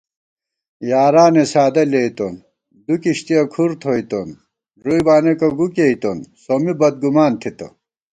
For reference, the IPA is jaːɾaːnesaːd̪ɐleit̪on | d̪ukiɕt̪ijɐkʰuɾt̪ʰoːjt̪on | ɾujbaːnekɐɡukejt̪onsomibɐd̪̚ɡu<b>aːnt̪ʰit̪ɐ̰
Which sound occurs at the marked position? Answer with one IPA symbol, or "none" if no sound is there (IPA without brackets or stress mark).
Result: m